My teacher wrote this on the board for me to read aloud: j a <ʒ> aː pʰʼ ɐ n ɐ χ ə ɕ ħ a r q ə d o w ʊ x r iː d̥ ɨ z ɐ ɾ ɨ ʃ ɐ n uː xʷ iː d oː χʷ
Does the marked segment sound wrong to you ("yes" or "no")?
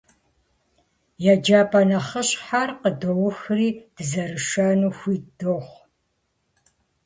yes